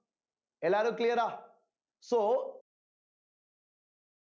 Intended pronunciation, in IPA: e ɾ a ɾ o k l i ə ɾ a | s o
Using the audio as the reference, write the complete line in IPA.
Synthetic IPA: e l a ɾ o k l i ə ɾ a | s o